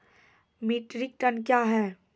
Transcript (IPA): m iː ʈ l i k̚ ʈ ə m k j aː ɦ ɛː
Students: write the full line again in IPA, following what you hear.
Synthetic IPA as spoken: m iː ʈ ɾ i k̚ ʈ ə n k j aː ɦ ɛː